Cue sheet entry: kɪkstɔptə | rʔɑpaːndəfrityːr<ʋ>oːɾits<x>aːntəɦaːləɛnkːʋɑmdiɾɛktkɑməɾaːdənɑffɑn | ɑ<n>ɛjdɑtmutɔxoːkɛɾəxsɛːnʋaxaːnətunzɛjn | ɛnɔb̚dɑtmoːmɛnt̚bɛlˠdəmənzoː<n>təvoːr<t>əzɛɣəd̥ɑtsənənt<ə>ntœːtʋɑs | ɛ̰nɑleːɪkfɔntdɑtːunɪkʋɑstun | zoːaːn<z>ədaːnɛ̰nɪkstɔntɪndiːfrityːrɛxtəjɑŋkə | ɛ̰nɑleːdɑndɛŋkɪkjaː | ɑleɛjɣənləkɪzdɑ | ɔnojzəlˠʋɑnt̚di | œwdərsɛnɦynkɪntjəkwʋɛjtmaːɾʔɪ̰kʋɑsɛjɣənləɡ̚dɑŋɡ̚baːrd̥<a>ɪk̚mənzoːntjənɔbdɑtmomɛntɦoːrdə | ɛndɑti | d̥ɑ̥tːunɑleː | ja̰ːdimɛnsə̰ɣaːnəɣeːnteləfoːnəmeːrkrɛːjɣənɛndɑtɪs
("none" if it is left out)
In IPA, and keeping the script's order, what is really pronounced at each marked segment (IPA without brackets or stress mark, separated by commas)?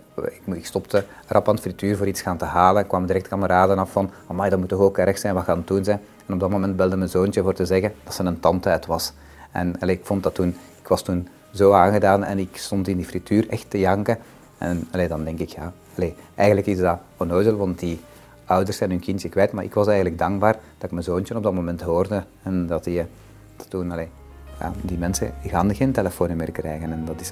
v, x, m, n, t, ɑ, ɣ, ɑ